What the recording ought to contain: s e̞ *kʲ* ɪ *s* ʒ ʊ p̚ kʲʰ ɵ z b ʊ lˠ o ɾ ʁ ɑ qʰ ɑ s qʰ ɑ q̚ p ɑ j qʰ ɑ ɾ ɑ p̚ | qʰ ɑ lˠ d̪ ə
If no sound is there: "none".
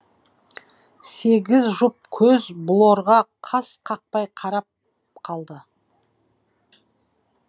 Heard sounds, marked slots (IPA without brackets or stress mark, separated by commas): ɡʲ, z